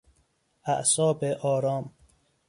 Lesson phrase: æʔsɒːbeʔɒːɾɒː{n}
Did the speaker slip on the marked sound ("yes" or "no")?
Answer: yes